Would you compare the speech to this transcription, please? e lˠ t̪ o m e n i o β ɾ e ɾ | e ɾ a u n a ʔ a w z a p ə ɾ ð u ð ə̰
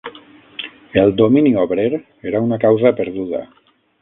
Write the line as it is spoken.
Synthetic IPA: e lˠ d̪ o m i n i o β ɾ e ɾ | e ɾ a u n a k a w z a p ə ɾ ð u ð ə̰